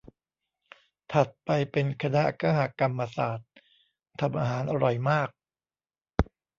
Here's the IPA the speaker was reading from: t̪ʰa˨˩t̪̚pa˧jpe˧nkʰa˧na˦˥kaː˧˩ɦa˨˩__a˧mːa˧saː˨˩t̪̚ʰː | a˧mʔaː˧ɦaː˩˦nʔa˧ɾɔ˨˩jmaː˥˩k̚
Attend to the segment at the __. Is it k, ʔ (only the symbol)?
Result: k